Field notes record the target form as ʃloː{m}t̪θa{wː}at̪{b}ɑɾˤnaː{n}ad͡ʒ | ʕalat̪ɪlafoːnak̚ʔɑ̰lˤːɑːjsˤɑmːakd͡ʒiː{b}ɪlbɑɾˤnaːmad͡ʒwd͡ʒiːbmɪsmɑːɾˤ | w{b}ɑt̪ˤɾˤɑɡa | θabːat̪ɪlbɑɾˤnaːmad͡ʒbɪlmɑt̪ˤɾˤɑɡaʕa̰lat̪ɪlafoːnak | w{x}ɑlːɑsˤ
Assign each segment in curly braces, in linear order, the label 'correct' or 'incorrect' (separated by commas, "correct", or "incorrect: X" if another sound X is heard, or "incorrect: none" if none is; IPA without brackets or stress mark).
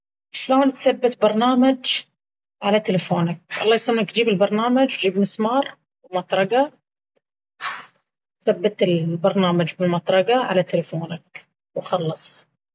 incorrect: n, incorrect: bː, correct, incorrect: m, correct, incorrect: m, correct